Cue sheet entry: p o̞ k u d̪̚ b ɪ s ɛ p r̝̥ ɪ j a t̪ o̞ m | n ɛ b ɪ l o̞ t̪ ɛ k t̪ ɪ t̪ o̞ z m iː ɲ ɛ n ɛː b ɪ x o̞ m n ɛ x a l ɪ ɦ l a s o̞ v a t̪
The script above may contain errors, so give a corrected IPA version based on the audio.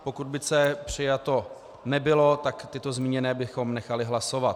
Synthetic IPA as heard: p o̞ k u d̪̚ b ɪ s ɛ p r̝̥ ɪ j a t̪ o̞ | n ɛ b ɪ l o̞ t̪ a k t̪ ɪ t̪ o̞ z m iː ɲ ɛ n ɛː b ɪ x o̞ m n ɛ x a l ɪ ɦ l a s o̞ v a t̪

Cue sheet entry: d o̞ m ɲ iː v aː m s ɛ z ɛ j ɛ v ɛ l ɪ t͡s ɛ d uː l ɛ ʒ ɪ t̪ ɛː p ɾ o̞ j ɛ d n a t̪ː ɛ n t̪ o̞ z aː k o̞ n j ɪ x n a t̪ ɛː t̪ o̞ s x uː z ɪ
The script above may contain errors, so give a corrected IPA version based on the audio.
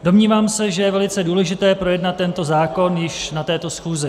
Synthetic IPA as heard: d o̞ m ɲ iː v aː m s ɛ ʒ ɛ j ɛ v ɛ l ɪ t͡s ɛ d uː l ɛ ʒ ɪ t̪ ɛː p ɾ o̞ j ɛ d n a t̪ː ɛ n t̪ o̞ z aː k o̞ n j ɪ ʃ n a t̪ ɛː t̪ o̞ s x uː z ɪ

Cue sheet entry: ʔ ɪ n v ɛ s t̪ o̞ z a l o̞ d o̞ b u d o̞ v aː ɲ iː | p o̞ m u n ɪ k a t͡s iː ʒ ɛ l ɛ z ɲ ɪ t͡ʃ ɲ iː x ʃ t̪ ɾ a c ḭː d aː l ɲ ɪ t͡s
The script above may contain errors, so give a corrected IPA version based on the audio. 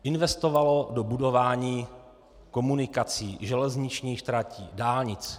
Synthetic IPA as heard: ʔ ɪ n v ɛ s t̪ o̞ v a l o̞ d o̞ b u d o̞ v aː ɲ iː | k o̞ m u n ɪ k a t͡s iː ʒ ɛ l ɛ z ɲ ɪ t͡ʃ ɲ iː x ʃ t̪ ɾ a c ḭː d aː l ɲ ɪ t͡s

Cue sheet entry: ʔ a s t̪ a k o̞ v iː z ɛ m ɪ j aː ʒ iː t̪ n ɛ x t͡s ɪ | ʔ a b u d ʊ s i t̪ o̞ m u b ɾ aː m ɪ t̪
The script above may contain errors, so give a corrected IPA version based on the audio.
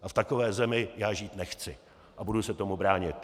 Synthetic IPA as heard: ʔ a f t̪ a k o̞ v ɛː z ɛ m ɪ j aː ʒ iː t̪ n ɛ x t͡s ɪ | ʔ a b u d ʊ s ɛ t̪ o̞ m u b ɾ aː ɲ ɪ t̪

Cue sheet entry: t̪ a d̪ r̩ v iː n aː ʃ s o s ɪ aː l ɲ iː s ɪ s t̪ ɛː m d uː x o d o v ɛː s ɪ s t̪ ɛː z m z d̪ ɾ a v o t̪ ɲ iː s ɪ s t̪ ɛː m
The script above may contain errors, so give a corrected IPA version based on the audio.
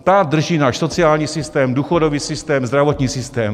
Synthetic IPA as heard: t̪ a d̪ r̩ ʒ iː n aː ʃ s o t͡s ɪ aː l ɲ iː s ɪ s t̪ ɛː m d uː x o d o v iː s ɪ s t̪ ɛː m z d̪ ɾ a v o t̪ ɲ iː s ɪ s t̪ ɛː m

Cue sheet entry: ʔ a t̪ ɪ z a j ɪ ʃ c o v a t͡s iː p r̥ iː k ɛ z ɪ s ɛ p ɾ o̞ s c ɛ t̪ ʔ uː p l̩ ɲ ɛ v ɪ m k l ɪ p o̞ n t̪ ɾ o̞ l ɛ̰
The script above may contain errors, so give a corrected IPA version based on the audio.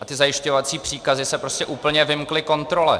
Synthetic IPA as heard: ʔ a t̪ ɪ z a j ɪ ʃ c o v a t͡s iː p r̥ iː k a z ɪ s ɛ p ɾ o̞ s c ɛ ʔ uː p l̩ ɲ ɛ v ɪ m k l ɪ k o̞ n t̪ ɾ o̞ l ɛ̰

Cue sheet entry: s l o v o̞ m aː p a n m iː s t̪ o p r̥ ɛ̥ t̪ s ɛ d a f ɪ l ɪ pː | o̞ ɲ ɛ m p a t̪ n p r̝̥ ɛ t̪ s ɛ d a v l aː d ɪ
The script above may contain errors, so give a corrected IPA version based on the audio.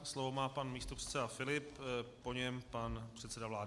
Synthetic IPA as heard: s l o v o̞ m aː p a n m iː s t̪ o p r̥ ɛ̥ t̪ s ɛ d a f ɪ l ɪ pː | o̞ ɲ ɛ m p a n p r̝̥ ɛ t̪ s ɛ d a v l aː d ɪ

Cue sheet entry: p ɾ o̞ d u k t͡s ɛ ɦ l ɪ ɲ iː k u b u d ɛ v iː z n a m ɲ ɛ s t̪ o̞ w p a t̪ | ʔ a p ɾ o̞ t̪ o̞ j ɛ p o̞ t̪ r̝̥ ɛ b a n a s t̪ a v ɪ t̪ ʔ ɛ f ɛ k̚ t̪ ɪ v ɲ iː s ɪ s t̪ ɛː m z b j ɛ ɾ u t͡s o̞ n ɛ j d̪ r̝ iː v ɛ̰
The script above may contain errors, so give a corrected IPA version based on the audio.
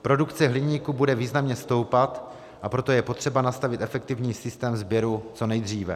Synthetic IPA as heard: p ɾ o̞ d u k t͡s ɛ ɦ l ɪ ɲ iː k u b u d ɛ v iː z n a m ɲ ɛ s t̪ o̞ w p a t̪ | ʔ a p ɾ o̞ t̪ o̞ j ɛ p o̞ t̪ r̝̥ ɛ b a n a s t̪ a v ɪ t̪ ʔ ɛ f ɛ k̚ t̪ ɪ v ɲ iː s ɪ s t̪ ɛː m z b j ɛ ɾ u t͡s o̞ n ɛ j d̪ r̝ iː v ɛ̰

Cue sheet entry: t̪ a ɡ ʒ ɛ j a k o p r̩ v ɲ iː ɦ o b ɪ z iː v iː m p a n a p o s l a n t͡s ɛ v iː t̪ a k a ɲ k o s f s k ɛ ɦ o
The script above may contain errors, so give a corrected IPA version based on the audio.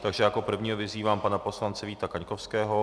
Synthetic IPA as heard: t̪ a ɡ ʒ ɛ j a k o p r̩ v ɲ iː ɦ o v ɪ z iː v aː m p a n a p o s l a n t͡s ɛ v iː t̪ a k a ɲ k o f s k ɛː ɦ o

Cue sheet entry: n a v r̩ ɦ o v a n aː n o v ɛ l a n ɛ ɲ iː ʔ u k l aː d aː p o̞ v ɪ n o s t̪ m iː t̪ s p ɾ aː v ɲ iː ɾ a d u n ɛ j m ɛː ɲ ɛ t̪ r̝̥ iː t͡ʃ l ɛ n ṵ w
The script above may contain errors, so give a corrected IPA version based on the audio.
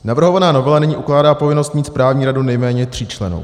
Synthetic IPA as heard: n a v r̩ ɦ o v a n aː n o v ɛ l a n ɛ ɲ iː ʔ u k l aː d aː p o̞ v ɪ n o s t̪ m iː t̪ s p ɾ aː v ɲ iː ɾ a d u n ɛ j m ɛː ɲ ɛ t̪ r̝̥ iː t͡ʃ l ɛ n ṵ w

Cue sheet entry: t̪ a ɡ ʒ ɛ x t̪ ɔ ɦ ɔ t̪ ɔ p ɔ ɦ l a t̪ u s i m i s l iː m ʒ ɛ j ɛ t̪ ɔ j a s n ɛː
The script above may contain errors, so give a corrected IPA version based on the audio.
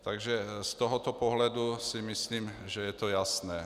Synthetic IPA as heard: t̪ a ɡ ʒ ɛ s t̪ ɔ ɦ ɔ t̪ ɔ p ɔ ɦ l a d̪ u s i m i s l iː m ʒ ɛ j ɛ t̪ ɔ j a s n ɛː

